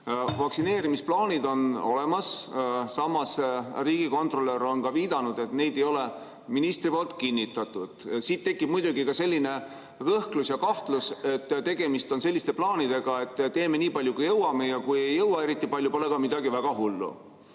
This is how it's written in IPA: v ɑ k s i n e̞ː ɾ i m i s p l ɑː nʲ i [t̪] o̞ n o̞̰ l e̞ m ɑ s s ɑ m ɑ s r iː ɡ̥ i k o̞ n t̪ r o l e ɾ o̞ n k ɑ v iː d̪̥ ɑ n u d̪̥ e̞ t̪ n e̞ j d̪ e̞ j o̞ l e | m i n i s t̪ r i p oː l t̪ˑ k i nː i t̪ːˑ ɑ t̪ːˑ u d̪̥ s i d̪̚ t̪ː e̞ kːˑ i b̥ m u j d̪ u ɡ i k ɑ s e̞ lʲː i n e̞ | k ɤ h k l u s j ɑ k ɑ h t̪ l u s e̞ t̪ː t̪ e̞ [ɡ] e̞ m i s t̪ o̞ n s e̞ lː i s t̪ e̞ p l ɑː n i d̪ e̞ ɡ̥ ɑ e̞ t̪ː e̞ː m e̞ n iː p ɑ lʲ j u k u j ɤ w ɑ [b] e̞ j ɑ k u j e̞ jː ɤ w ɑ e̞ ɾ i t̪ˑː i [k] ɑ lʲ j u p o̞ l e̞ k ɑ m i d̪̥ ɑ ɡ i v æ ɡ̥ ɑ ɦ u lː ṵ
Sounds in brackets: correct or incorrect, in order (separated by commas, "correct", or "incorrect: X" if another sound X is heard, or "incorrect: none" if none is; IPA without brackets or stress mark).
incorrect: d̪, correct, incorrect: m, incorrect: p